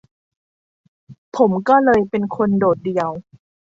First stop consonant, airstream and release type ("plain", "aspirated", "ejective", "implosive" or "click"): aspirated